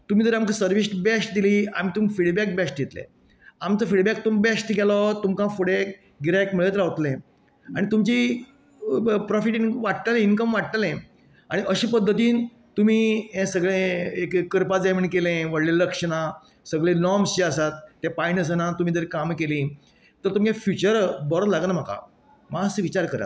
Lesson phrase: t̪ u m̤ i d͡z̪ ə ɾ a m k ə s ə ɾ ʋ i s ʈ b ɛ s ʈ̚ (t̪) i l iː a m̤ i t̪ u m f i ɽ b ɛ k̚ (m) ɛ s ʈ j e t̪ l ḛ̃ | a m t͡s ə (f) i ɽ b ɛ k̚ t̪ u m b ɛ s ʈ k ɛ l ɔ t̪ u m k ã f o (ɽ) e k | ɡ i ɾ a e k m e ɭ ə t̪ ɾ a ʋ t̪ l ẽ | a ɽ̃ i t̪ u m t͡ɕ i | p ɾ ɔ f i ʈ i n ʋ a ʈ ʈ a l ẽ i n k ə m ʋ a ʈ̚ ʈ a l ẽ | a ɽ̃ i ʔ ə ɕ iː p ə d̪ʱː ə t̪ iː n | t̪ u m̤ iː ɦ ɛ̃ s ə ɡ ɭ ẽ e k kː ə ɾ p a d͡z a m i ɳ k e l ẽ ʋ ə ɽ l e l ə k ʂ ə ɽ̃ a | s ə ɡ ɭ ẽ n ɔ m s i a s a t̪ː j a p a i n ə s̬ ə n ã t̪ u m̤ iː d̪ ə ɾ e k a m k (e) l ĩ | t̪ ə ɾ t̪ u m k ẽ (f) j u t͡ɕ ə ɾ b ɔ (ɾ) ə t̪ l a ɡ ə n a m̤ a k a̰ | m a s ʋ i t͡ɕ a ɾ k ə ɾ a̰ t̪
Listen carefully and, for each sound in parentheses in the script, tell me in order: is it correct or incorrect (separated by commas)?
incorrect, incorrect, correct, correct, correct, correct, correct